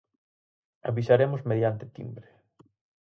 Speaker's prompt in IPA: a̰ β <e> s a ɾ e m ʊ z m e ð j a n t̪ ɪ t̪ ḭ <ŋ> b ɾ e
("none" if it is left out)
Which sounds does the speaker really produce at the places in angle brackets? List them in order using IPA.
i, m

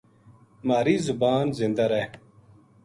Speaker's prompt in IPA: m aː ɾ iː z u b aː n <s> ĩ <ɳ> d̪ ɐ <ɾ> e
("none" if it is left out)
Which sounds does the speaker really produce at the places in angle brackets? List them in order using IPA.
z, n, ɾ

